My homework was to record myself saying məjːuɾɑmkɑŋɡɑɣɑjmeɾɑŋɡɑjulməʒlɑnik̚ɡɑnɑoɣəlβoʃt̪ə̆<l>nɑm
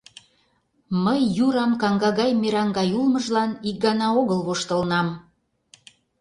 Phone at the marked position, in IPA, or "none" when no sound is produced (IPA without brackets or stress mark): l